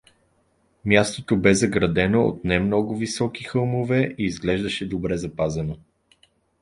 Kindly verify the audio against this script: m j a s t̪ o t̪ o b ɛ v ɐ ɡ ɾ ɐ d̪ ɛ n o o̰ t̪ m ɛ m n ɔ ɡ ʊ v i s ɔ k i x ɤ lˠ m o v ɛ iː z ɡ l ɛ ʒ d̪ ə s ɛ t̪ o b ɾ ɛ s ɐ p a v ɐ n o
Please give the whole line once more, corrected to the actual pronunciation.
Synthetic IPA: m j a s t̪ o t̪ o b ɛ z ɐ ɡ ɾ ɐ d̪ ɛ n o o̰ t̪ n ɛ m n ɔ ɡ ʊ v i s ɔ k i x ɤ lˠ m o v ɛ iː z ɡ l ɛ ʒ d̪ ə ʃ ɛ d̪ o b ɾ ɛ z ɐ p a z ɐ n o